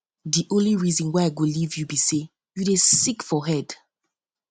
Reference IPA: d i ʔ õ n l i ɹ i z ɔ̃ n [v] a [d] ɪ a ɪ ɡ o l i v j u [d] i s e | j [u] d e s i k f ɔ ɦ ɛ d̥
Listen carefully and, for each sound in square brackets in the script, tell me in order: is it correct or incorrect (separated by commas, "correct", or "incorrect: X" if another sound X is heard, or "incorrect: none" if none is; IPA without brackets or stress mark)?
incorrect: w, incorrect: none, incorrect: b, correct